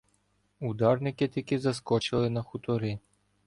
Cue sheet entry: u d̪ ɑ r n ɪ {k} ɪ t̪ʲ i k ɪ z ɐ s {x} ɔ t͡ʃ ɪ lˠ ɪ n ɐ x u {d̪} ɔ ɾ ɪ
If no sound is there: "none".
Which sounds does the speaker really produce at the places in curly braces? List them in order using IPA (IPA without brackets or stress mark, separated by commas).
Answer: k, k, t̪